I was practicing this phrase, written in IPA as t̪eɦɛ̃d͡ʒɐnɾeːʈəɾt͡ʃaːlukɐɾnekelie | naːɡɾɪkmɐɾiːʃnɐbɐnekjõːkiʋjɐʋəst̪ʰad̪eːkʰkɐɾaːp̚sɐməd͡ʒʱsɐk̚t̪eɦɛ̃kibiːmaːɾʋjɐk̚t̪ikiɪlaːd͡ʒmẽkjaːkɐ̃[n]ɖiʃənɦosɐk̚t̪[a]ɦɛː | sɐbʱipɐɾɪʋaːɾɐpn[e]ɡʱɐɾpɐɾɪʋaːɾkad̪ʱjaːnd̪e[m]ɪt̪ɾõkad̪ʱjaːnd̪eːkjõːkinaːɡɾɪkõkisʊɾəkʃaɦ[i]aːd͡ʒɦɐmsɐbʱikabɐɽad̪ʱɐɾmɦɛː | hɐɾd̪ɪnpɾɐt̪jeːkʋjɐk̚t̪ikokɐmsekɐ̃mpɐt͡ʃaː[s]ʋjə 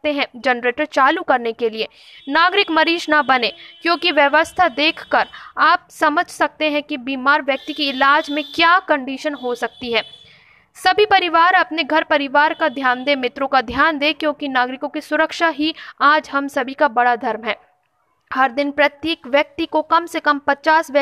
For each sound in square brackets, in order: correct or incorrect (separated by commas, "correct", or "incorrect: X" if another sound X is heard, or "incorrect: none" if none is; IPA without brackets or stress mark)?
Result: incorrect: ɳ, incorrect: i, correct, correct, correct, correct